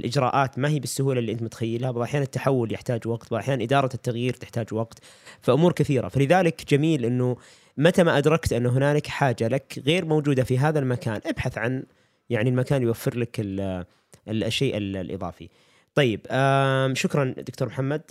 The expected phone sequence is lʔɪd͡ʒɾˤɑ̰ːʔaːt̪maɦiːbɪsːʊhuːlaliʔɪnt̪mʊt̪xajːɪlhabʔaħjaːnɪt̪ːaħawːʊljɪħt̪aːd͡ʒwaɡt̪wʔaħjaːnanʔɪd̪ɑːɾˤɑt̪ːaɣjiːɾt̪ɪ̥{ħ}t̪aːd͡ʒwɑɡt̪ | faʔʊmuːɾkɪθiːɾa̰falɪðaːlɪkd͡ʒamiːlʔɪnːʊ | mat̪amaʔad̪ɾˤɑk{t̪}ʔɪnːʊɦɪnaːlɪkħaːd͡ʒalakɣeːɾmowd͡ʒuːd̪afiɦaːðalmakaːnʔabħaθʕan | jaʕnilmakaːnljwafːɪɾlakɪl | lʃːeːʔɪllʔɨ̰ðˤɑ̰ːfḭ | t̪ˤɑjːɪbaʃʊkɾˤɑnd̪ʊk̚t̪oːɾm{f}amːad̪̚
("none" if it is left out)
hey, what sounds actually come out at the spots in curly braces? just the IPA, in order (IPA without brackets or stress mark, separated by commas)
ħ, t̪, ħ